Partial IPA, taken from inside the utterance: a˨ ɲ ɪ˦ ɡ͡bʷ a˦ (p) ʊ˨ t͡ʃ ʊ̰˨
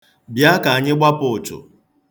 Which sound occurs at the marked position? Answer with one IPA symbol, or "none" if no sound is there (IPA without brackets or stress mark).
p